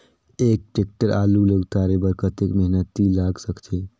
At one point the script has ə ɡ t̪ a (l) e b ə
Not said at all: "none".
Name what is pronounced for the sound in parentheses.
ɾ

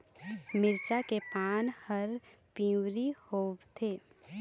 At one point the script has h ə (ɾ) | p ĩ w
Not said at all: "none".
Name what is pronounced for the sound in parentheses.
ɾ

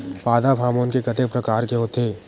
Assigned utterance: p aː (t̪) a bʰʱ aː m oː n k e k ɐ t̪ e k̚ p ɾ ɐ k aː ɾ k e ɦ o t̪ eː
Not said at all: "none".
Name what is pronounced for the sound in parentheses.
d̪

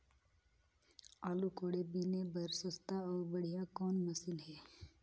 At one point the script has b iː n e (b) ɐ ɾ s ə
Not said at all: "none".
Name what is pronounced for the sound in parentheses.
b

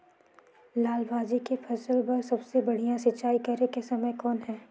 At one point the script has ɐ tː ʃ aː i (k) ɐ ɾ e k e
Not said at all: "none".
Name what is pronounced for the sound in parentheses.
k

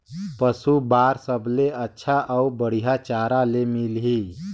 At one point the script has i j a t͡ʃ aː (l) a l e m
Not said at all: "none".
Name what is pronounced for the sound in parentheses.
ɾ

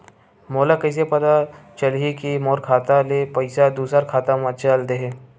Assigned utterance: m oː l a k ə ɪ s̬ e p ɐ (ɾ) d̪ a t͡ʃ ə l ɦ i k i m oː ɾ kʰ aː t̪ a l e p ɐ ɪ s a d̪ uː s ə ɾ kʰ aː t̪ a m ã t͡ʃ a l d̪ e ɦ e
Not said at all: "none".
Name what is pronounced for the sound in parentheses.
none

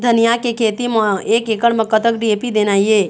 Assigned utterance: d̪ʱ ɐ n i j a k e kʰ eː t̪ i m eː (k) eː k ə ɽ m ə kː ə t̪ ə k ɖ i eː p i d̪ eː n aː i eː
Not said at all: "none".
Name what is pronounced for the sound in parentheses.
k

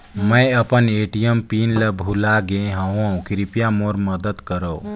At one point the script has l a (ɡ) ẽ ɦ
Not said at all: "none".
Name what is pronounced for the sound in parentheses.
ɡ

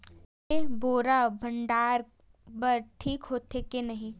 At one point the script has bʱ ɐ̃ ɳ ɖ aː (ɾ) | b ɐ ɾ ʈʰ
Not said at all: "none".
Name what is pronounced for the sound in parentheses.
ɾ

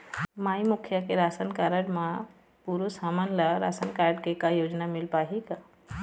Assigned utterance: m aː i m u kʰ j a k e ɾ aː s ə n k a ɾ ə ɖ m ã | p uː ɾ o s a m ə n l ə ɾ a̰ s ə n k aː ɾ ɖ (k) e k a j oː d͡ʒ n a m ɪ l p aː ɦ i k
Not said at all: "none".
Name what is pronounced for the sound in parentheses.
k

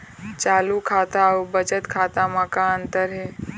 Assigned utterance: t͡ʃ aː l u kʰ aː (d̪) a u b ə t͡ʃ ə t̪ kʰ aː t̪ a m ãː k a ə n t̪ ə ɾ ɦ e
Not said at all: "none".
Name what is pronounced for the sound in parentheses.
t̪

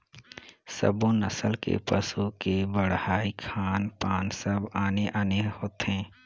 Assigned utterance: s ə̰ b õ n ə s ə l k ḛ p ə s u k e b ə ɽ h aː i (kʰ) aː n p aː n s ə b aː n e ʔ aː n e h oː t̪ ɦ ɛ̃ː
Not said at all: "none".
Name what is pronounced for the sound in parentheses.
kʰ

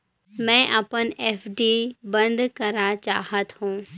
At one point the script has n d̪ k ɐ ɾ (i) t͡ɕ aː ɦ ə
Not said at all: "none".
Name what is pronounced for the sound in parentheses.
a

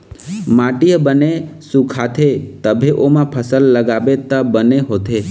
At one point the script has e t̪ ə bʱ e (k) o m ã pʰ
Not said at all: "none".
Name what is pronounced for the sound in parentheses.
ʔ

